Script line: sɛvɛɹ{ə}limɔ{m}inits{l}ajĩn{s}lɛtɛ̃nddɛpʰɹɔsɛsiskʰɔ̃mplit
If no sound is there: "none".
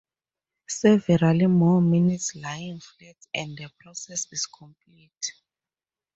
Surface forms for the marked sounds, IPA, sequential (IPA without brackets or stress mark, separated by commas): a, m, l, f